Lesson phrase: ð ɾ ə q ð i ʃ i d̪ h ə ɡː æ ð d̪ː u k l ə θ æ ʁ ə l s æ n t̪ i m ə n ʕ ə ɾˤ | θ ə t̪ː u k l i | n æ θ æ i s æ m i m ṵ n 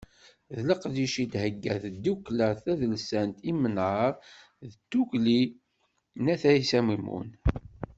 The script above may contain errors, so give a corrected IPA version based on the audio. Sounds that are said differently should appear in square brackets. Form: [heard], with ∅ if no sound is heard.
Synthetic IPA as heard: ð [l] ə q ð i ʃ i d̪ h ə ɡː æ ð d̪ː u k l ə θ æ [ð] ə l s æ n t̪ i m ə n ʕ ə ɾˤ | [ð] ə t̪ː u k l i | n æ θ æ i s æ m i m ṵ n